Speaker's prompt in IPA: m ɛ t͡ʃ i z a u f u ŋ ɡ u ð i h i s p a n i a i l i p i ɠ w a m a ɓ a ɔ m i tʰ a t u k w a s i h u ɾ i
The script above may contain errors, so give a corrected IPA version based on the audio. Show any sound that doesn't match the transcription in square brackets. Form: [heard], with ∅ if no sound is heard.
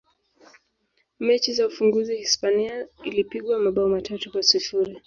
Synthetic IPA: m ɛ t͡ʃ i z a u f u ŋ ɡ u [z] i h i s p a n i a i l i p i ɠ w a m a ɓ a ɔ m [a] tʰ a t u k w a s i [f] u ɾ i